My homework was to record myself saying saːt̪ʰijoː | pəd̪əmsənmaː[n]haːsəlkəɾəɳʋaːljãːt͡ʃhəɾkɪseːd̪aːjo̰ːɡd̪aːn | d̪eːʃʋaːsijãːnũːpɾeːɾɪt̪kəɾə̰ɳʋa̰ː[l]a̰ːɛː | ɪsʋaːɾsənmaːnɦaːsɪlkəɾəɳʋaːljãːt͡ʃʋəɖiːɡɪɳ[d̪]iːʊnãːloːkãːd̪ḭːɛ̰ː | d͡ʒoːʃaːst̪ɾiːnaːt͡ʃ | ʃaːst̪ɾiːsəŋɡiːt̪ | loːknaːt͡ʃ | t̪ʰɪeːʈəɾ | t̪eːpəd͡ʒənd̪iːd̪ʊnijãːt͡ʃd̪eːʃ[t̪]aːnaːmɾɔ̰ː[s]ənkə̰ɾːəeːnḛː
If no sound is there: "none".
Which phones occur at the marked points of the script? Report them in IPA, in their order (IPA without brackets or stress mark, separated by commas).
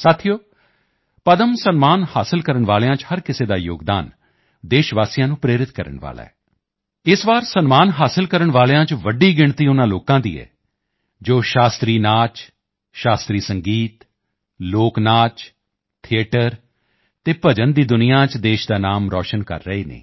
n, l, t̪, d̪, ʃ